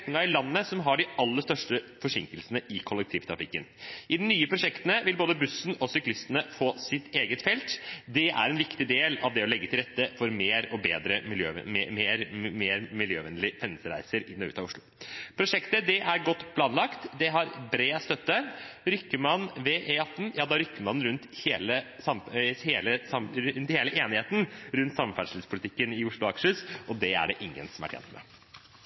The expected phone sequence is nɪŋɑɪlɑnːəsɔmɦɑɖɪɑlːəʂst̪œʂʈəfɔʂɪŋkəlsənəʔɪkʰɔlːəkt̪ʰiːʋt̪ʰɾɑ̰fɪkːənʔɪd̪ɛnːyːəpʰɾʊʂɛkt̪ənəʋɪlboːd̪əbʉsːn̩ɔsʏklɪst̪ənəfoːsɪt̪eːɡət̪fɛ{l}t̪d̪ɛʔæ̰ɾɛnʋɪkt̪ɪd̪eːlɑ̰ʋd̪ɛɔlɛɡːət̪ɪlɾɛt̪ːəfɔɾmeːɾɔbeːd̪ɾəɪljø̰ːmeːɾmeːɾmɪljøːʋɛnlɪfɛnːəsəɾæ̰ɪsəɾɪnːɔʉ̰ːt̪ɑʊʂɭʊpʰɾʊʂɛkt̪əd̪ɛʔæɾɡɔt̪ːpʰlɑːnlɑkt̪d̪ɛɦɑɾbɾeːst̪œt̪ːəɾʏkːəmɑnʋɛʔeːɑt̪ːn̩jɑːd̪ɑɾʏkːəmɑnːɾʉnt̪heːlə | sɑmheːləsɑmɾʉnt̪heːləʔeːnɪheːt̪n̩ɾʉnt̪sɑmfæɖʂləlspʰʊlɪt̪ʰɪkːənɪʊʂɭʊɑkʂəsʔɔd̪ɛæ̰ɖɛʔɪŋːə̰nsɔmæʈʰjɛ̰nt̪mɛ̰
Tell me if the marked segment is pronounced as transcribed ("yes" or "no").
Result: yes